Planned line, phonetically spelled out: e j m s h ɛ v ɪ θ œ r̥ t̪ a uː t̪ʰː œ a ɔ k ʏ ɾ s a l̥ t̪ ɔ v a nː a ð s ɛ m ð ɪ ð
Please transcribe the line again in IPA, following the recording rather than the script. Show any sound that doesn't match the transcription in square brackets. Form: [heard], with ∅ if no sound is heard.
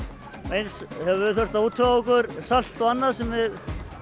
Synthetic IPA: e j [n] s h ɛ v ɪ θ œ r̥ t̪ a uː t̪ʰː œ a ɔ k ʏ ɾ s a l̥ t̪ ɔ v a nː a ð s ɛ m [v] ɪ ð